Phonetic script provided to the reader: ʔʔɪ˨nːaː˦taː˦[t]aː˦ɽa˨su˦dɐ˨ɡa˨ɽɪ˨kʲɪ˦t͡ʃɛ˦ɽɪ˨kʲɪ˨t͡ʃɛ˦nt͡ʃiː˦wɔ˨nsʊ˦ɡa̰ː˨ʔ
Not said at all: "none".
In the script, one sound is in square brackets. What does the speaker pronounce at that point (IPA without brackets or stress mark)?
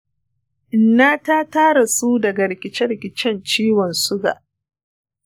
t